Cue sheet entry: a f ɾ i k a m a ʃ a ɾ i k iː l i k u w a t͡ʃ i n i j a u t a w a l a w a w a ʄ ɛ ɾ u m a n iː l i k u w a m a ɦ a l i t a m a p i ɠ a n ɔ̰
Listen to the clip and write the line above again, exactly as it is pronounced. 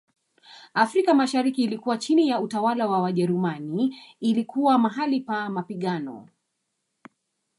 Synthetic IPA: a f ɾ i k a m a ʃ a ɾ i k iː l i k u w a t͡ʃ i n i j a u t a w a l a w a w a ʄ ɛ ɾ u m a n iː l i k u w a m a ɦ a l i p a m a p i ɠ a n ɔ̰